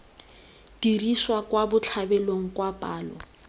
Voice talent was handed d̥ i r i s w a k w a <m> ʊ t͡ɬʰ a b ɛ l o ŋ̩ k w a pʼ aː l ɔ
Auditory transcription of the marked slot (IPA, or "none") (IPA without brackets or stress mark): b